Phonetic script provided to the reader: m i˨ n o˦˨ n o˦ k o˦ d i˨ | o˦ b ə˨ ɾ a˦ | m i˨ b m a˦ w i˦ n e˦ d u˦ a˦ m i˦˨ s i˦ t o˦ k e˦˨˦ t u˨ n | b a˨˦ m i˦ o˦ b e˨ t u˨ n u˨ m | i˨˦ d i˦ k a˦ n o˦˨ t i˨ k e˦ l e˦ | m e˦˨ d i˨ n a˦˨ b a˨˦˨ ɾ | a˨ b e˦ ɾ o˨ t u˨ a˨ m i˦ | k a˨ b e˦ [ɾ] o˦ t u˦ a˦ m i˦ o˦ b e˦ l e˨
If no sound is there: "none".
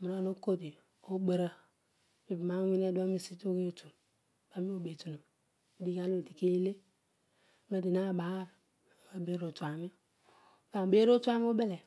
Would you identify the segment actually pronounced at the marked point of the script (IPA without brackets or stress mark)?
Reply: ɾ